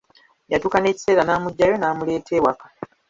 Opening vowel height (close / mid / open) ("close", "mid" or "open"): open